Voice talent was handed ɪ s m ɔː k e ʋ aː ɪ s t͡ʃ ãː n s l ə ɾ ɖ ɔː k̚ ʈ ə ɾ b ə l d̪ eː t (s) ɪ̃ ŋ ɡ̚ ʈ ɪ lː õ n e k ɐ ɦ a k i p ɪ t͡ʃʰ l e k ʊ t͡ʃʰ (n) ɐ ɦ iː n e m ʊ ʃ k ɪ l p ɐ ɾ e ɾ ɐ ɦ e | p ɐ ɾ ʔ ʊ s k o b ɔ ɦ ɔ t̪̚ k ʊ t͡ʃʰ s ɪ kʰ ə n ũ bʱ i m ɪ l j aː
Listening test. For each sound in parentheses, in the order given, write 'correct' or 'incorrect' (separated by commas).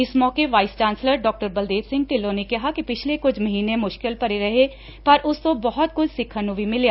correct, incorrect